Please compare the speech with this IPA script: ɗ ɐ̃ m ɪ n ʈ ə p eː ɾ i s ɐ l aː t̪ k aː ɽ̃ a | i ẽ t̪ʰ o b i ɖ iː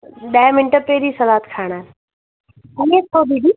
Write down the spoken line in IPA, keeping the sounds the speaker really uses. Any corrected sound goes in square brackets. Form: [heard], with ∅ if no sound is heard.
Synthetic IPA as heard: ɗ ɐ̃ m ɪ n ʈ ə p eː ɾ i s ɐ l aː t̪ [kʰ] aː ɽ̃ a | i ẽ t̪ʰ o b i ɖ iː